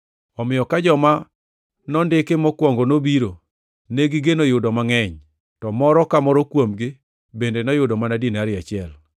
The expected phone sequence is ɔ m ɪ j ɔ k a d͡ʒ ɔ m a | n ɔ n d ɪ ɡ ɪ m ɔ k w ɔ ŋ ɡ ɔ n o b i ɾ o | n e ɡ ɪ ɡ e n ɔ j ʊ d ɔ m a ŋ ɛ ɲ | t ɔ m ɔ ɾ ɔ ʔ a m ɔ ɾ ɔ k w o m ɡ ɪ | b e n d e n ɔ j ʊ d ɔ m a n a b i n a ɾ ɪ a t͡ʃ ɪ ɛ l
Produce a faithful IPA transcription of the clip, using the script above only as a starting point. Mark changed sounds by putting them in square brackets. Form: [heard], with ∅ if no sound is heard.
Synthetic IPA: ɔ m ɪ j ɔ k a d͡ʒ ɔ m a | n ɔ n d ɪ [k] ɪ m ɔ k w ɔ ŋ ɡ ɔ n o b i ɾ o | n e ɡ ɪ ɡ e n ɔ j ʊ d ɔ m a ŋ ɛ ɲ | t ɔ m ɔ ɾ ɔ [k] a m ɔ ɾ ɔ k w o m ɡ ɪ | b e n d e n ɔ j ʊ d ɔ m a n a [d] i n a ɾ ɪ a t͡ʃ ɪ ɛ l